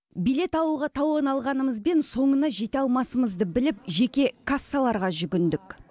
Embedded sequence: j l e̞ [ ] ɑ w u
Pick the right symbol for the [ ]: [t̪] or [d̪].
t̪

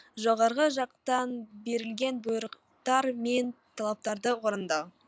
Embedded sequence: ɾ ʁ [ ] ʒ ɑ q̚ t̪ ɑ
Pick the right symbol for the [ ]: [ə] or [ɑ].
ə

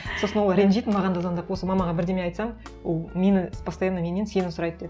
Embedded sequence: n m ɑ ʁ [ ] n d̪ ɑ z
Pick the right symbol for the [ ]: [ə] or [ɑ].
ɑ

